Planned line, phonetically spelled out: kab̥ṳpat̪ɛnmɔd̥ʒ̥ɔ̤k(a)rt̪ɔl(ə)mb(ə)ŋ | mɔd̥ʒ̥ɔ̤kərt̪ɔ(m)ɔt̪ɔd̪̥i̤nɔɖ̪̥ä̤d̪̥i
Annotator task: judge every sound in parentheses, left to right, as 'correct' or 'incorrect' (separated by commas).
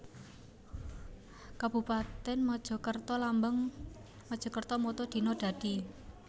incorrect, incorrect, correct, correct